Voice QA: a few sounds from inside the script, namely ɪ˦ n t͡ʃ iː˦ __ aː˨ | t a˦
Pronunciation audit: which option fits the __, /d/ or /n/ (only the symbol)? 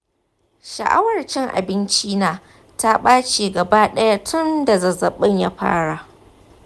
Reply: n